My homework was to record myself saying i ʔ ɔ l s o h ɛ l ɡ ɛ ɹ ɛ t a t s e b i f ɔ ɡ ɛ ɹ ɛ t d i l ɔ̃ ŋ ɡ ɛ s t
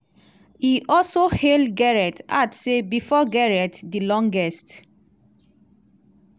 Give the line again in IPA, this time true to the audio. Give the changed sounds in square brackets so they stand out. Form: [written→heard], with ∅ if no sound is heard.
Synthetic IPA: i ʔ ɔ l s o h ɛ l ɡ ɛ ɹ ɛ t a t s e b i f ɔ ɡ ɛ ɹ ɛ t d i l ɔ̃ ŋ ɡ ɛ s t